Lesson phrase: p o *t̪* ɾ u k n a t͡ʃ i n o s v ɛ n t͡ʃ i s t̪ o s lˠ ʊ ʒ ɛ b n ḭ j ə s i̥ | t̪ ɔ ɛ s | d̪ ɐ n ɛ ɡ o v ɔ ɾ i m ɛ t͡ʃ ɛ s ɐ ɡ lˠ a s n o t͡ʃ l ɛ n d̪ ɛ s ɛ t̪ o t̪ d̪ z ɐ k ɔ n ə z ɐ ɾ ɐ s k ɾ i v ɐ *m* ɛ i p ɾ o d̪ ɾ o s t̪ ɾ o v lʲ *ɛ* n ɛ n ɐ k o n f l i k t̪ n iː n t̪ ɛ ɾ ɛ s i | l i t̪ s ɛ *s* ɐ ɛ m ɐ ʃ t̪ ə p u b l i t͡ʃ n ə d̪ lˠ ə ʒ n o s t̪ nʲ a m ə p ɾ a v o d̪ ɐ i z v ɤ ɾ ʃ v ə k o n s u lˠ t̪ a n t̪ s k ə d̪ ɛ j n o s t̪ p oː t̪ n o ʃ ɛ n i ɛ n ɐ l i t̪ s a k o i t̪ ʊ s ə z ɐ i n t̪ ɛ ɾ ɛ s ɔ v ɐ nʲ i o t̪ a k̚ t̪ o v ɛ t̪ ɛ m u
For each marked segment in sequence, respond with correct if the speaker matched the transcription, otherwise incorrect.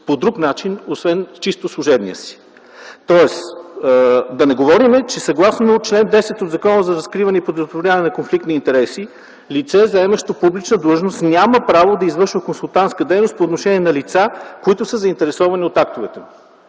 incorrect: d̪, incorrect: n, incorrect: a, incorrect: z

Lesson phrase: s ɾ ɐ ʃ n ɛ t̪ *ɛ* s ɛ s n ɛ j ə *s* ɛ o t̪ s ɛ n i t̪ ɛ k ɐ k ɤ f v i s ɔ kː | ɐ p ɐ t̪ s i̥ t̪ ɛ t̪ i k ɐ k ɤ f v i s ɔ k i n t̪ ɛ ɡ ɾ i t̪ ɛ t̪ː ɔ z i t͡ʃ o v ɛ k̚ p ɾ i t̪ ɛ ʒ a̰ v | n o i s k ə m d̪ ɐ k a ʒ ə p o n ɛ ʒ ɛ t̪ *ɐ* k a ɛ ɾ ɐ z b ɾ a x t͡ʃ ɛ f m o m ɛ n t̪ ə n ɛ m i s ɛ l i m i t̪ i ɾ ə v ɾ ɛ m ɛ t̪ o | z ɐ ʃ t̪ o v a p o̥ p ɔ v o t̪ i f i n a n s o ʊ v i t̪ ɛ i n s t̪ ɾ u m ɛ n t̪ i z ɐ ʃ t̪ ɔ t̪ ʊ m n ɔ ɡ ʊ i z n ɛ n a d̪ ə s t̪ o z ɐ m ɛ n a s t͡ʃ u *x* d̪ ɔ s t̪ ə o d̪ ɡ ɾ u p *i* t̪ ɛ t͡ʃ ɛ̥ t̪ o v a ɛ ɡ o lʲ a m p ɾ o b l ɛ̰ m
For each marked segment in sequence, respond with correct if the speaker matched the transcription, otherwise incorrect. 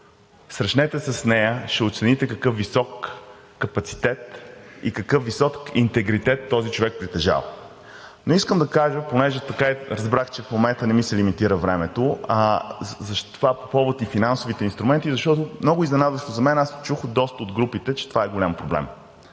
correct, incorrect: ʃ, correct, correct, correct

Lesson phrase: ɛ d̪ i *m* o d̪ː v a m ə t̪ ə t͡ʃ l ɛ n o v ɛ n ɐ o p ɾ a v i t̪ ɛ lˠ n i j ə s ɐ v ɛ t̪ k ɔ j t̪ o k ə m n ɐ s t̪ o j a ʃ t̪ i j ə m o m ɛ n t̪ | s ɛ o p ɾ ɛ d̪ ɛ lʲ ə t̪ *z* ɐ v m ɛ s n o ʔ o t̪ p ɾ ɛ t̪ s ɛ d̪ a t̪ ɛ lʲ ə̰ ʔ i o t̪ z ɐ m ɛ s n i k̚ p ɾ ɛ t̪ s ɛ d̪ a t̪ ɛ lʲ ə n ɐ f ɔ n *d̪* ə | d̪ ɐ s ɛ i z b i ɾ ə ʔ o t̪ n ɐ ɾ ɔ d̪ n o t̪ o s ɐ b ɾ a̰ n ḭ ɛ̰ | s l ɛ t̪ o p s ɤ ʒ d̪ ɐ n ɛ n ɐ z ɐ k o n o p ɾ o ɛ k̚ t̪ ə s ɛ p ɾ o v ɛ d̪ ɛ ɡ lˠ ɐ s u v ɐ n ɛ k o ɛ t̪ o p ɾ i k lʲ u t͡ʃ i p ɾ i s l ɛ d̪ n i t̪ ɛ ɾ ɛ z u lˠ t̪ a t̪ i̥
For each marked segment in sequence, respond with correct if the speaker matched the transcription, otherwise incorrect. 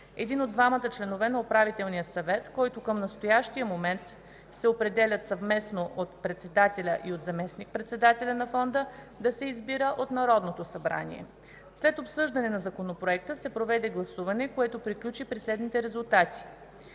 incorrect: n, incorrect: s, correct

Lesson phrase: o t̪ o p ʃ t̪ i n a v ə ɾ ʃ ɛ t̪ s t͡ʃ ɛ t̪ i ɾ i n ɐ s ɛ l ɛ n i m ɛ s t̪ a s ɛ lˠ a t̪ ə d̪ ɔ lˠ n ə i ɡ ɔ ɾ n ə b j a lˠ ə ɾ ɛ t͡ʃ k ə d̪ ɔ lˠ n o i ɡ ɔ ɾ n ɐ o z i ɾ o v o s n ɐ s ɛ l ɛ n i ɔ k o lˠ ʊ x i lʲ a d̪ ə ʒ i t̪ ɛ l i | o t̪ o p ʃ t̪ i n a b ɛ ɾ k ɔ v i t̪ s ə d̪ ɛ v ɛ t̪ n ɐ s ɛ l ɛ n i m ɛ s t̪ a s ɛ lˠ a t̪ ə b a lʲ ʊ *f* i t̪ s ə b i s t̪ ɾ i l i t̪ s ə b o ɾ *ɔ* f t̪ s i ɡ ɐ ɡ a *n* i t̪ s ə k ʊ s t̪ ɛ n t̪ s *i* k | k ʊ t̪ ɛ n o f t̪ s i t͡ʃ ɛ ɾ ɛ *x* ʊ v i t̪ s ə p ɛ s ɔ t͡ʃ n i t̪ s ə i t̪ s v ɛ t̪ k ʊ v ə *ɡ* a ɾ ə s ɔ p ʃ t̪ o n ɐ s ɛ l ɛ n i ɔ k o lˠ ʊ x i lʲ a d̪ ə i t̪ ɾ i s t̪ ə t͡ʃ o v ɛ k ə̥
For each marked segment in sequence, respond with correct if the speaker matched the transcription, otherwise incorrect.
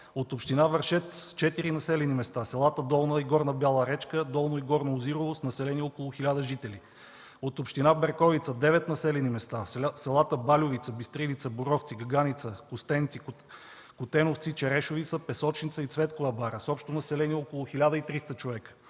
incorrect: v, correct, correct, correct, incorrect: ʃ, incorrect: b

